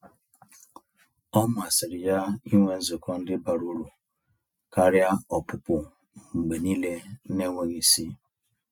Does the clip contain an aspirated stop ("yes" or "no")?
no